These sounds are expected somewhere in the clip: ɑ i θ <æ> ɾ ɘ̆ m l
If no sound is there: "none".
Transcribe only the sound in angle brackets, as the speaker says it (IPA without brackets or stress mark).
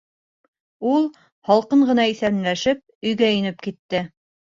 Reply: æ